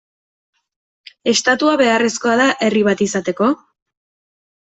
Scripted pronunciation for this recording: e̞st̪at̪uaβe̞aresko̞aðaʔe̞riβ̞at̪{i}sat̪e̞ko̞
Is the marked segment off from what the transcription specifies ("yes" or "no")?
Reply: no